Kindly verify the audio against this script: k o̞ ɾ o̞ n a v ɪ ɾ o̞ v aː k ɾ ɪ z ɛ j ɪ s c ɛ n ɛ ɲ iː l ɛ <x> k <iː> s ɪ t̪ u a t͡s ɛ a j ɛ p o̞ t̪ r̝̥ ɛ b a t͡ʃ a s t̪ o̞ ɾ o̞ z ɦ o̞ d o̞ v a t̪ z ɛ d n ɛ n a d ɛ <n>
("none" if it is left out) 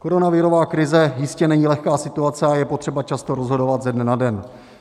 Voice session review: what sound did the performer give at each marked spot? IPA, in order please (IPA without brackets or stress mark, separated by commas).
x, aː, n